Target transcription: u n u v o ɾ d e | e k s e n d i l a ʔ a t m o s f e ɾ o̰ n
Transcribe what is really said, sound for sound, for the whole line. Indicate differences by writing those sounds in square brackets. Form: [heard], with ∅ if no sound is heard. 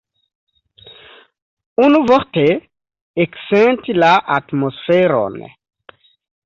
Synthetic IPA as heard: u n u v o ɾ [t] e | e k s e n [t] i l a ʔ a t m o s f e ɾ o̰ n